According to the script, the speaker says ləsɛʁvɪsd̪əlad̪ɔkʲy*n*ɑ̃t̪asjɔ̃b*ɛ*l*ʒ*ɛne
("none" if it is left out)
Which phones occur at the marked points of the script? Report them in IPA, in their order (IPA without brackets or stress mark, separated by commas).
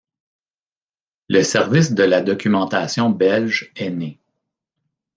m, ɛ, ʒ